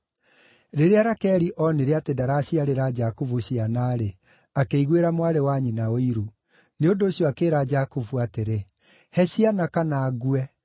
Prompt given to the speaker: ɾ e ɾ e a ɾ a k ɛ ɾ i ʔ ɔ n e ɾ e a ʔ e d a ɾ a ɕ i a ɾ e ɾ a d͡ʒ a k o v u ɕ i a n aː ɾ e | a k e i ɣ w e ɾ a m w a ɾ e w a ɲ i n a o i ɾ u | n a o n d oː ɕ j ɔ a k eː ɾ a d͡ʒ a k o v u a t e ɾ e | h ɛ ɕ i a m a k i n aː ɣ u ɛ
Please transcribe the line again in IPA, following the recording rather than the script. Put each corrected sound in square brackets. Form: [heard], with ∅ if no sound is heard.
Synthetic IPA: ɾ e ɾ e a ɾ a k ɛ ɾ i ʔ ɔ n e ɾ e a [t] e d a ɾ a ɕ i a ɾ e ɾ a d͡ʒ a k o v u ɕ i a n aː ɾ e | a k e i ɣ w e ɾ a m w a ɾ e w a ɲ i n a o i ɾ u | n [e] o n d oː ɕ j ɔ a k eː ɾ a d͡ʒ a k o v u a t e ɾ e | h ɛ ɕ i a [n] a k [a] n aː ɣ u ɛ